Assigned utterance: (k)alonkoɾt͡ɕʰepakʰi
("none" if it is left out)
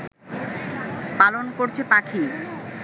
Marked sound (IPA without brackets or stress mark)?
p